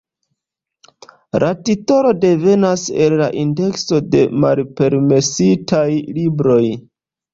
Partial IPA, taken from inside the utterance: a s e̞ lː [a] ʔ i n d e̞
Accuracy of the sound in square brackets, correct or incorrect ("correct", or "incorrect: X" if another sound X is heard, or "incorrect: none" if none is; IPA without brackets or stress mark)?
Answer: correct